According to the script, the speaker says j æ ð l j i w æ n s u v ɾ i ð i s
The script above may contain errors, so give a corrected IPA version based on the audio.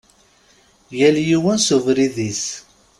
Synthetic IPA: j æ l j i w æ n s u v ɾ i ð i s